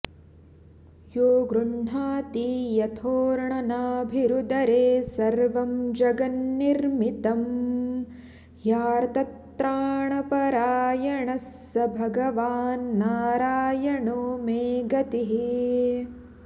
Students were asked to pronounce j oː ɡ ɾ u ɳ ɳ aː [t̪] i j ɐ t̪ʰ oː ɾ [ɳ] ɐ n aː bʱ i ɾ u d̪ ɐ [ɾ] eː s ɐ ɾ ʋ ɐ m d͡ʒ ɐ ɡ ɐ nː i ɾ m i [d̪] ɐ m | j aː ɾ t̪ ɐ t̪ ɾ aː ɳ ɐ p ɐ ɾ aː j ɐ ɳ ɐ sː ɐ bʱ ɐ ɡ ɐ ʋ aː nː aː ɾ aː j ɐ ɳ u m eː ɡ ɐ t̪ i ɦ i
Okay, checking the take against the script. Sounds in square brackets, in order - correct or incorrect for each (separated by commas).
correct, correct, correct, incorrect